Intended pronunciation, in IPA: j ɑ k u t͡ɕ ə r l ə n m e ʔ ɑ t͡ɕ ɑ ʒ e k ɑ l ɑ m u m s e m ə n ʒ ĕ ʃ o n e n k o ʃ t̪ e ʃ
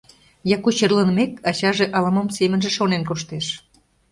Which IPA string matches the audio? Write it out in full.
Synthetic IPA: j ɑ k u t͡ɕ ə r l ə n m e k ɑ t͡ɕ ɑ ʒ e ʔ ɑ l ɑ m o m s e m ə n ʒ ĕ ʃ o n e n k o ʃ t̪ e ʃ